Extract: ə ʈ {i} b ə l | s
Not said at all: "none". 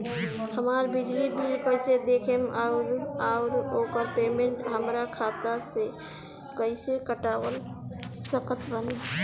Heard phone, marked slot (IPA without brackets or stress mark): a